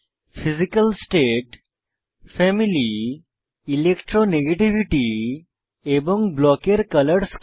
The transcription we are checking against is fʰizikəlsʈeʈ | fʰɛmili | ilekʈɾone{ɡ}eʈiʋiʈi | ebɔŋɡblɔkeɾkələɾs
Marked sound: correct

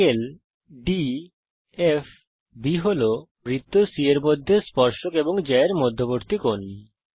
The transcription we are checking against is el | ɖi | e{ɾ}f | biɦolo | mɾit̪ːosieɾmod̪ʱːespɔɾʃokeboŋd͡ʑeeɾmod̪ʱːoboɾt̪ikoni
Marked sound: incorrect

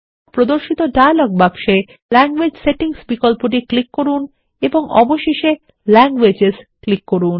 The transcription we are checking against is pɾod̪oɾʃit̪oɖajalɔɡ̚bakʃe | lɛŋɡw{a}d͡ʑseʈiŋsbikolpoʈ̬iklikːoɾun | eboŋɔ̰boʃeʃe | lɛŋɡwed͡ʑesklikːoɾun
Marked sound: incorrect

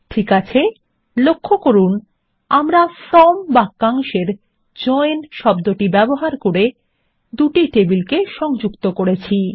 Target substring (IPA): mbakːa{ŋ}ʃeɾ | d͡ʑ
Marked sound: correct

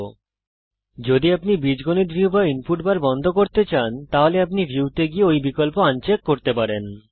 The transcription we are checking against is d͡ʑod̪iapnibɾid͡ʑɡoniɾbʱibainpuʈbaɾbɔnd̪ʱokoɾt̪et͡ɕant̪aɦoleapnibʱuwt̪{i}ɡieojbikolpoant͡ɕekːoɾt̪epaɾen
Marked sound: incorrect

